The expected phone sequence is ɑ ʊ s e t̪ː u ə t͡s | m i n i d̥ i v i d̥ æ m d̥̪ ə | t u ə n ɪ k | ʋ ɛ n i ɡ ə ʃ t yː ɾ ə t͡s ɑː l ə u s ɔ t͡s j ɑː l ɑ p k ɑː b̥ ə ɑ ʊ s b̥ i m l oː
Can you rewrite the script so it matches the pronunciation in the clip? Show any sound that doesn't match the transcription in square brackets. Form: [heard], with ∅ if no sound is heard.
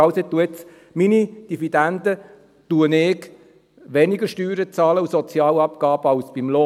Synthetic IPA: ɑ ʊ s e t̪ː u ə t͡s | m i n i d̥ i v i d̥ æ [n] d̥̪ ə | t u ə n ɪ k | ʋ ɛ n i ɡ ə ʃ t yː ɾ ə t͡s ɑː l ə u s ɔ t͡s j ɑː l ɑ p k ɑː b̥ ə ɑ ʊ s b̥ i m l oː

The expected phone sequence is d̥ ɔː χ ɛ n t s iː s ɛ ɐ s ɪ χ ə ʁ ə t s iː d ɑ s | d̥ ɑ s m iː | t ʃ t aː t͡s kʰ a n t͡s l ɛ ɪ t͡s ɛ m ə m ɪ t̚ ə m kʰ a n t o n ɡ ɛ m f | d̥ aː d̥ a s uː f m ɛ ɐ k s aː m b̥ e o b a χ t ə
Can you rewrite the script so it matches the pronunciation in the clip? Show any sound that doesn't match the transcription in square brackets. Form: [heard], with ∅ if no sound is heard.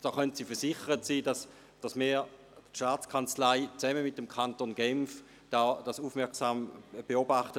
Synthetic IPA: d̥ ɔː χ [œ] n t s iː [f] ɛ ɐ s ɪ χ ə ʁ ə t s iː d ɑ s | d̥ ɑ s m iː | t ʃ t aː t͡s kʰ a n t͡s l [a] ɪ t͡s ɛ m ə m ɪ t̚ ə m kʰ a n t o n ɡ ɛ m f | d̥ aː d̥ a s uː f m ɛ ɐ k s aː m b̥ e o b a χ t ə

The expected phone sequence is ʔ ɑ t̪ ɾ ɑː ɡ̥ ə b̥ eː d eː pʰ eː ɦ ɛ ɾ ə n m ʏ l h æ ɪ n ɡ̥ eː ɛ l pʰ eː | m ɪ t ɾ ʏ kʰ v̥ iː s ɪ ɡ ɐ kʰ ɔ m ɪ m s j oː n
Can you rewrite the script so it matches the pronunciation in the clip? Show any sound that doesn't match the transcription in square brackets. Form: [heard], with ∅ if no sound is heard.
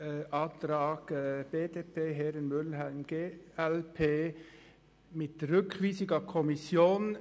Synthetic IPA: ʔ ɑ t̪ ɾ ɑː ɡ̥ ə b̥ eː d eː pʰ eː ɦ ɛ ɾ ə n m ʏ l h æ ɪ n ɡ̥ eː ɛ l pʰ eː | m ɪ t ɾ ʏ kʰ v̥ iː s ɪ ɡ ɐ kʰ ɔ m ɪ [∅] s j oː n

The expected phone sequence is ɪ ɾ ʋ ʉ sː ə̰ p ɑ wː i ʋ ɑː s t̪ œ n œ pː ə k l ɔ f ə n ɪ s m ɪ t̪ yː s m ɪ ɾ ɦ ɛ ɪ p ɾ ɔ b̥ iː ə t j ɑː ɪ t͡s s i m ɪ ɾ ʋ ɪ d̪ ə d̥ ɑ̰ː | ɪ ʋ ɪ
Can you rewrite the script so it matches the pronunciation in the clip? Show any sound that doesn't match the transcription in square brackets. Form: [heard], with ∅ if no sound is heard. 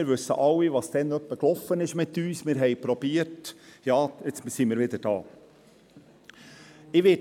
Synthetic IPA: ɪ ɾ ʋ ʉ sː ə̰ [ʔ] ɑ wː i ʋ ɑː s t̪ [ɛ] n œ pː ə k l ɔ f ə n ɪ [ʃ] m ɪ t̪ yː s m ɪ ɾ ɦ ɛ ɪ p ɾ ɔ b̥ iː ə t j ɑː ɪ t͡s s i m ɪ ɾ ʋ ɪ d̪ ə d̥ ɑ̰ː | ɪ ʋ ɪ

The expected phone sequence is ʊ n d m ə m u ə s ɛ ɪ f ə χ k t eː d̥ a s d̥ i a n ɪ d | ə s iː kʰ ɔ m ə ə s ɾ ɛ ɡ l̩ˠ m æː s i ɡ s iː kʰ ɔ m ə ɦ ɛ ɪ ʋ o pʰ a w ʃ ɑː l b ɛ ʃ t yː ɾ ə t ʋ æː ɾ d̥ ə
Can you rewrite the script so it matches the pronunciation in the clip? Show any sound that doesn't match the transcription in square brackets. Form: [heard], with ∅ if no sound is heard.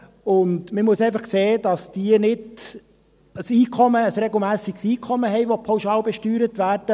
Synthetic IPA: ʊ n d m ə m u ə s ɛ ɪ f [ɑ] χ k [s] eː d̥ [ɑ] s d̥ i [ə] n ɪ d | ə s iː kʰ ɔ m ə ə s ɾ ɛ ɡ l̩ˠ m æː s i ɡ s iː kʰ ɔ m ə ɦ ɛ ɪ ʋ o pʰ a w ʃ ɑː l b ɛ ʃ t yː ɾ ə t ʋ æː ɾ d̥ ə

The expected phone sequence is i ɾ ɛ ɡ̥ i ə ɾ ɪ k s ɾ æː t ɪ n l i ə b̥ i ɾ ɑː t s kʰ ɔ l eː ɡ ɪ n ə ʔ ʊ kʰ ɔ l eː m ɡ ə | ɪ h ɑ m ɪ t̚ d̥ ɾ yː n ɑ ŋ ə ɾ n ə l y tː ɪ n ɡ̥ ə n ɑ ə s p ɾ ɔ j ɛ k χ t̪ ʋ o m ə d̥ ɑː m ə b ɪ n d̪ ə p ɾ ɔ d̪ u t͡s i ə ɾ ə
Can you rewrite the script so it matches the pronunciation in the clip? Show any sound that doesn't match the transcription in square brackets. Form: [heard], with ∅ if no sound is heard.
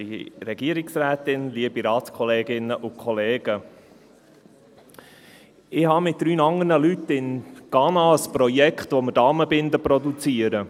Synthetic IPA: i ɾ ɛ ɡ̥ i ə ɾ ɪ k s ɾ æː t ɪ n l i ə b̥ i ɾ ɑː t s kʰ ɔ l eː ɡ ɪ n ə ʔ ʊ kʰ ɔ l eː [∅] ɡ ə | ɪ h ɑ m ɪ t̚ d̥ ɾ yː n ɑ ŋ ə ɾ n ə l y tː ɪ n ɡ̥ [ɑ] n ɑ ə s p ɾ ɔ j ɛ k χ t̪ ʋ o m ə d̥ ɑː m ə b ɪ n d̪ ə p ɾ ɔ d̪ u t͡s i ə ɾ ə

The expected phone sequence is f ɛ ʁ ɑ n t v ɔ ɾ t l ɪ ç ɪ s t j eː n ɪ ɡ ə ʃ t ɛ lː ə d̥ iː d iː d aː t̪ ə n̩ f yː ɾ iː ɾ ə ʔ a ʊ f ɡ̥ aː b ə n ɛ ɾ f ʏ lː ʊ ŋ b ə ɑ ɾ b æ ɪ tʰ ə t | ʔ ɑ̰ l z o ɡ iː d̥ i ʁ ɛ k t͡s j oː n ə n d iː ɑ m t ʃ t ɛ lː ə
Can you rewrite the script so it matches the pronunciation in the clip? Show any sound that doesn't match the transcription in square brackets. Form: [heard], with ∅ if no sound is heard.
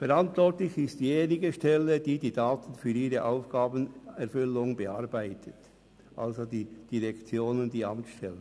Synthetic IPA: f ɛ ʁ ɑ n t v ɔ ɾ t l ɪ ç ɪ s t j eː n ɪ ɡ ə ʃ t ɛ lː ə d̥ iː d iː d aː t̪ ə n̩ f yː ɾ iː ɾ ə ʔ a ʊ f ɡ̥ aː b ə n ɛ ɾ f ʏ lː ʊ ŋ b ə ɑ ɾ b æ ɪ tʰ ə t | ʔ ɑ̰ l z o [d] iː d̥ i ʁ ɛ k t͡s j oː n ə n d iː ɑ m t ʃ t ɛ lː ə

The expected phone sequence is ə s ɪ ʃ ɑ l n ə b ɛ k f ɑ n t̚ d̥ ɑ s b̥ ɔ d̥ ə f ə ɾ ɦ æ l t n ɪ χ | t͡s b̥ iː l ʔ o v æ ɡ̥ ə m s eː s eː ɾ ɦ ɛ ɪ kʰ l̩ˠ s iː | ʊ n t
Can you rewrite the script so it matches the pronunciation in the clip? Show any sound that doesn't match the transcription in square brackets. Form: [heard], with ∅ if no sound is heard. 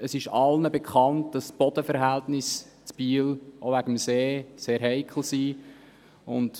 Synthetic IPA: ə s ɪ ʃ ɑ l n ə b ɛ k [χ] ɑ n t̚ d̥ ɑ s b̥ ɔ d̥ ə f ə ɾ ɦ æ l t n ɪ [s] | t͡s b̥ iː l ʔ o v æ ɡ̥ ə m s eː s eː ɾ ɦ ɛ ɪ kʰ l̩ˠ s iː | ʊ n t

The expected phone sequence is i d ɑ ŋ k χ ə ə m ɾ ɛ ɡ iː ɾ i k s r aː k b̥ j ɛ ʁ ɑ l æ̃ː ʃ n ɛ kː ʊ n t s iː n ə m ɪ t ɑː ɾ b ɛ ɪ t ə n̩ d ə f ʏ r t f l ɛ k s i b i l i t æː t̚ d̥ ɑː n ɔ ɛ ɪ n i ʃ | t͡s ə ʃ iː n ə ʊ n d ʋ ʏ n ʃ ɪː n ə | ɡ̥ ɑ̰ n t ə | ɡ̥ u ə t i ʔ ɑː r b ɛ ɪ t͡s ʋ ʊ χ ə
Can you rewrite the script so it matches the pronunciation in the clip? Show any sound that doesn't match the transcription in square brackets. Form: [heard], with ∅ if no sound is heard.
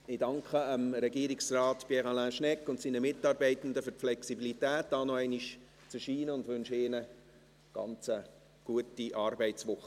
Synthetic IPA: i d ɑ ŋ k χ ə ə m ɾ ɛ ɡ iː ɾ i k s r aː [t] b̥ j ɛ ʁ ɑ l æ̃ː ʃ n ɛ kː ʊ n t s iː n ə m ɪ t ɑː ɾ b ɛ ɪ t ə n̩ d ə f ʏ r t f l ɛ k s i b i l i t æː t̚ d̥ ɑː n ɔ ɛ ɪ n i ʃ | t͡s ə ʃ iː n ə ʊ n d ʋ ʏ n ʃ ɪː n ə | ɡ̥ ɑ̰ n [t͡s] ə | ɡ̥ u ə t i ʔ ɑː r b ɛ ɪ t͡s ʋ ʊ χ ə

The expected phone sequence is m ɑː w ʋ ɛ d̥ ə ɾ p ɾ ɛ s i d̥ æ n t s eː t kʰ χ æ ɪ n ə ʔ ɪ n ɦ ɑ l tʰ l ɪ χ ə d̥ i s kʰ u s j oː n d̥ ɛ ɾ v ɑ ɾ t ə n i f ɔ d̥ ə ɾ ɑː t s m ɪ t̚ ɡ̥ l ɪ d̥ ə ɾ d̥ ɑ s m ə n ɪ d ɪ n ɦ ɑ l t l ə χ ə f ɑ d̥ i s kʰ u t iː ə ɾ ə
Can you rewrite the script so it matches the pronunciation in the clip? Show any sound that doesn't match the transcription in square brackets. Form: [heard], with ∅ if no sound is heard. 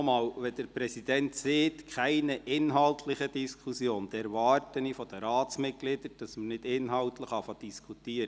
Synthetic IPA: m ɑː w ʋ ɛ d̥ ə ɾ p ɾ ɛ s i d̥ [ɛ] n t s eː t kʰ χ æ ɪ n ə ʔ ɪ n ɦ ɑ l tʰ l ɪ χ ə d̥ i s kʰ u s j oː n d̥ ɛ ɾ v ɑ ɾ t ə n i f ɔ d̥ ə ɾ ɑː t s m ɪ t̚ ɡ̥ l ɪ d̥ ə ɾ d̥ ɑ s m ə n ɪ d ɪ n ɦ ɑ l t l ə χ [ɑ] f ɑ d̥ i s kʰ u t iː ə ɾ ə

